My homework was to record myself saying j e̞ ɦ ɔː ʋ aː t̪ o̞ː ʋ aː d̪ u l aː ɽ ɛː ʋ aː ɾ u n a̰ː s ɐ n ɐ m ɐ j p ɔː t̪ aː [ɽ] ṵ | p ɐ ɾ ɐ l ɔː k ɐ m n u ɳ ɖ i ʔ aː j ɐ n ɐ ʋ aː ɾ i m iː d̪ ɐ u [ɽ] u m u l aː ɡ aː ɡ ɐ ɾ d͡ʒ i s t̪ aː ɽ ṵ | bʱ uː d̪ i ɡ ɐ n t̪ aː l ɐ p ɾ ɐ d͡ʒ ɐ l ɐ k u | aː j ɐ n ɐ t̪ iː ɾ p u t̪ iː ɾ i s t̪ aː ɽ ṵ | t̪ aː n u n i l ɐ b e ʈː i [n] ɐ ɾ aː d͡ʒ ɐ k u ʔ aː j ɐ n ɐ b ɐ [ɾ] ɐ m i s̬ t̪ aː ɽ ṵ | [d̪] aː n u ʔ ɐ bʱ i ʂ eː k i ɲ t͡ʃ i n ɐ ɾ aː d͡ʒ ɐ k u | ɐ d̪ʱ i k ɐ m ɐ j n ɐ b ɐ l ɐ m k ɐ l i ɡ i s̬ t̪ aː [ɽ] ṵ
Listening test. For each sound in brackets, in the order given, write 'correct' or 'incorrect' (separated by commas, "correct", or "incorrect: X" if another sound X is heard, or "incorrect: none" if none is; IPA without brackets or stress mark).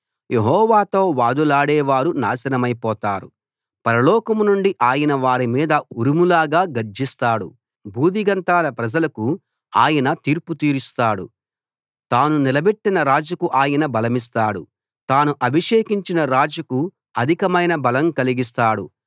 incorrect: ɾ, incorrect: ɾ, correct, incorrect: l, incorrect: t̪, correct